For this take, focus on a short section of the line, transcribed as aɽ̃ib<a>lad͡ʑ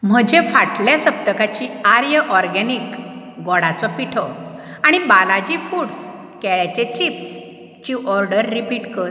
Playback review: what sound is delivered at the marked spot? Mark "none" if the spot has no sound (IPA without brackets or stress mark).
a